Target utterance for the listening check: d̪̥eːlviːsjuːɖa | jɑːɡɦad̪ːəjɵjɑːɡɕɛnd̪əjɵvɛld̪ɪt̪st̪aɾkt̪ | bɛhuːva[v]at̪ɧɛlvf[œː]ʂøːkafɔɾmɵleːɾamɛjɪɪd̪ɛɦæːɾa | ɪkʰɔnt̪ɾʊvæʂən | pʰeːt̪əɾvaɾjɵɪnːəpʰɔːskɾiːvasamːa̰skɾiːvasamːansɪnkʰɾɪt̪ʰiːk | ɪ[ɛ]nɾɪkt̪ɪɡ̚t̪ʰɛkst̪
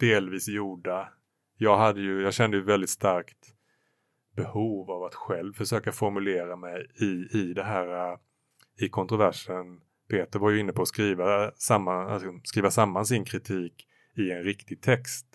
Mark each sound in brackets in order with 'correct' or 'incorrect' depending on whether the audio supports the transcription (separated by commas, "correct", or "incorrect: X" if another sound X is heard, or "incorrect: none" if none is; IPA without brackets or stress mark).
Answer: correct, incorrect: œ, correct